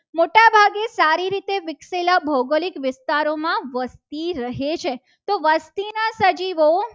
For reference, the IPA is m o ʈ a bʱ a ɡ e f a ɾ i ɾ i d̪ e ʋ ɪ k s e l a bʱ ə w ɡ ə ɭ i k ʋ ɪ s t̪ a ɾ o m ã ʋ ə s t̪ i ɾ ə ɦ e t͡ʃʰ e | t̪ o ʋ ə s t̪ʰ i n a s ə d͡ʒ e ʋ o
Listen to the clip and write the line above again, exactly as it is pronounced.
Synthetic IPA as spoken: m o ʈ a bʱ a ɡ e s a ɾ i ɾ i t̪ e ʋ ɪ k s e l a bʱ ə w ɡ ə l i k ʋ ɪ s t̪ a ɾ o m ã ʋ ə s t̪ i ɾ ə ɦ e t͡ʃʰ e | t̪ o ʋ ə s t̪ i n a s ə d͡ʒ i ʋ o